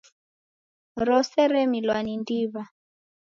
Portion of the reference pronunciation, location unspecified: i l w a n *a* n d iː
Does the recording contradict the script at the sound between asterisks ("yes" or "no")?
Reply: yes